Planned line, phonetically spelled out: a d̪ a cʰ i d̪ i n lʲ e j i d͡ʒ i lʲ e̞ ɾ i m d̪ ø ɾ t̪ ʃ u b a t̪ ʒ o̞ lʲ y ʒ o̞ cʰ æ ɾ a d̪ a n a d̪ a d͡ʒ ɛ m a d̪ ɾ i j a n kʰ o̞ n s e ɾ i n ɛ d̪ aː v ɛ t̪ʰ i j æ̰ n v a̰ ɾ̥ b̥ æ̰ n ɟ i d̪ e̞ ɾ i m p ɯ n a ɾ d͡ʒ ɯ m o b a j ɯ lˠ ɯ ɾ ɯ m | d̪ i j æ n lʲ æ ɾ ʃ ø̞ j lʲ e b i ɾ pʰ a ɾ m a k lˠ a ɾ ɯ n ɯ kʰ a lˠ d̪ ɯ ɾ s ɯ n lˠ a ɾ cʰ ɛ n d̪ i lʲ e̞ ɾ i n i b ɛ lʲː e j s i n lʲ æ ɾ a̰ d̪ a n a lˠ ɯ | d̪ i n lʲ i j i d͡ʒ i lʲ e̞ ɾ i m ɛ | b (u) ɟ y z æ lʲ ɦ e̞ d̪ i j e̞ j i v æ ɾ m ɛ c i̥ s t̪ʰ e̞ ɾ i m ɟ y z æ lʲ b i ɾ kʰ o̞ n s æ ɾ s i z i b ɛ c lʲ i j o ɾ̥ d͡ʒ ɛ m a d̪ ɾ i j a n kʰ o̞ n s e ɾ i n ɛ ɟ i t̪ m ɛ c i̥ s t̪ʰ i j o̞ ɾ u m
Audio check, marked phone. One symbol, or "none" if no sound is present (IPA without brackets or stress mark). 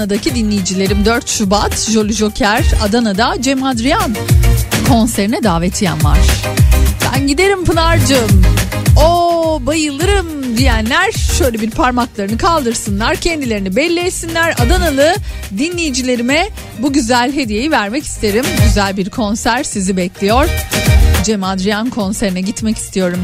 u